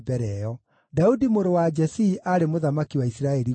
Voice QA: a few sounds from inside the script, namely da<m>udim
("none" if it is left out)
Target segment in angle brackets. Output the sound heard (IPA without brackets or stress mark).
none